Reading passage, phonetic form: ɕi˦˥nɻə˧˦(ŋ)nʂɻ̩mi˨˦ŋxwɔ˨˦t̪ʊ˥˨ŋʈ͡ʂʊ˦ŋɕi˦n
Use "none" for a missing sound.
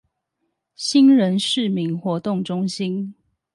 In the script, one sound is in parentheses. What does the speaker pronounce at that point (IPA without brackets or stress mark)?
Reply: none